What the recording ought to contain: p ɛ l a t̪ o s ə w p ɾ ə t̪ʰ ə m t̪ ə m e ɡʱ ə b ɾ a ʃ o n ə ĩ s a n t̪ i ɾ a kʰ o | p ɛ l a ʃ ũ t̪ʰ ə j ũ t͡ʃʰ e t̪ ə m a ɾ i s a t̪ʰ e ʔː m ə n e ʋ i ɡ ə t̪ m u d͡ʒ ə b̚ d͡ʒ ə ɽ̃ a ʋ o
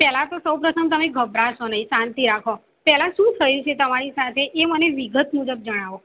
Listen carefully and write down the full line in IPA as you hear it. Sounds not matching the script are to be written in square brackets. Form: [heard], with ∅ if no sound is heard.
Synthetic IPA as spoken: p ɛ l a t̪ o s ə w p ɾ ə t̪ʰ ə m t̪ ə m e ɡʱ ə b ɾ a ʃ o n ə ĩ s a n t̪ i ɾ a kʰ o | p ɛ l a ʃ ũ t̪ʰ ə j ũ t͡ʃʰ e t̪ ə m a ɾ i s a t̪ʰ e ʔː m ə n e ʋ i ɡ ə t̪ m u d͡ʒ ə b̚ d͡ʒ ə ɽ̃ a ʋ o